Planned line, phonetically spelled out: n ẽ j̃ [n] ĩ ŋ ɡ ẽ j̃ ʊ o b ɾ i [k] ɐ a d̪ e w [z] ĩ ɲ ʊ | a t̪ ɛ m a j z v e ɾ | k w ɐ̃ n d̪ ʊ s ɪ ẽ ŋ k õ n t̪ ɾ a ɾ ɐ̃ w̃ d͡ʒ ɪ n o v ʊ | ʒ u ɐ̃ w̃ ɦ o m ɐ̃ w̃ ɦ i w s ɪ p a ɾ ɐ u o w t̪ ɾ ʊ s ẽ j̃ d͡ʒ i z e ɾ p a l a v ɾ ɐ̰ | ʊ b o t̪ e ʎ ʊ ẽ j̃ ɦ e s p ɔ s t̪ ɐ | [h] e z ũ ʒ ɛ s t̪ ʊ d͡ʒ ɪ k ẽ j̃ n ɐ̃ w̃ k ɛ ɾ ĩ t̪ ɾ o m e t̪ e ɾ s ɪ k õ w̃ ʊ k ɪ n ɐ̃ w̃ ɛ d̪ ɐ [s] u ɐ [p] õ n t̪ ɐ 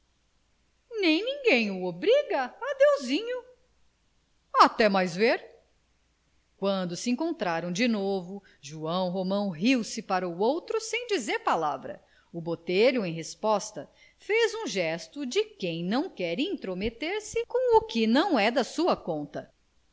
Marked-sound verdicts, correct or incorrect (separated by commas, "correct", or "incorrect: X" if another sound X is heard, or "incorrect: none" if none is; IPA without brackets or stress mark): correct, incorrect: ɡ, correct, incorrect: f, correct, incorrect: k